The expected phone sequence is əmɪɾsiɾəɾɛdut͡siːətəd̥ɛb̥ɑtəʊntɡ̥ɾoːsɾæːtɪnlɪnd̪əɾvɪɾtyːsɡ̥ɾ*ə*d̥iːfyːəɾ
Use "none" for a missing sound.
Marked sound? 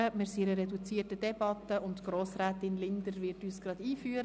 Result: ɑ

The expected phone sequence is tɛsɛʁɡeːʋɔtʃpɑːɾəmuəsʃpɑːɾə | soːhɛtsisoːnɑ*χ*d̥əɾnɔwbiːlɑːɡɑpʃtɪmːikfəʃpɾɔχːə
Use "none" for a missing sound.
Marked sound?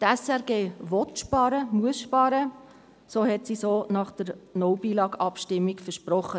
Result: χ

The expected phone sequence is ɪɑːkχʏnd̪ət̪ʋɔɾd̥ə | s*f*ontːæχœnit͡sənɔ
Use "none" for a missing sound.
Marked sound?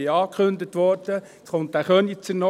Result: χ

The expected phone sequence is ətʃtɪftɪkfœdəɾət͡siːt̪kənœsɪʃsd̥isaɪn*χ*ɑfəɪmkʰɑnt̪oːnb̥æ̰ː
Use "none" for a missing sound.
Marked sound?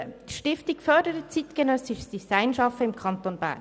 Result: ʃ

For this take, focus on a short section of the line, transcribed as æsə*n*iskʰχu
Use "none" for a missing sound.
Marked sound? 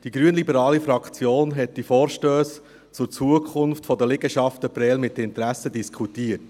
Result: d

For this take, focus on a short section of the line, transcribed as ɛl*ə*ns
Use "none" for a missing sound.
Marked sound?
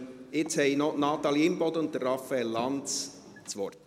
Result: ɑ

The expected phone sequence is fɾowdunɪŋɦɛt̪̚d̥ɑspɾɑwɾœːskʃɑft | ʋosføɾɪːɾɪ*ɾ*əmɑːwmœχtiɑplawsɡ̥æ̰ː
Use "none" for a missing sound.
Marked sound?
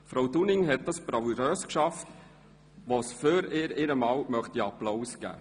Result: ɾ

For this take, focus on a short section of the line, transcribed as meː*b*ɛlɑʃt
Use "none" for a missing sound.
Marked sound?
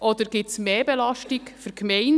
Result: b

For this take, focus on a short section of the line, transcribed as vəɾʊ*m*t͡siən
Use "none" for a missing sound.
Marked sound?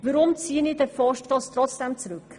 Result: m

